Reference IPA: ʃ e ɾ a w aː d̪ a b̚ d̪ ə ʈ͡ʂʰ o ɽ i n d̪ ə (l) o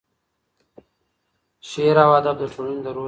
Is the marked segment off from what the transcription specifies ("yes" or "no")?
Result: yes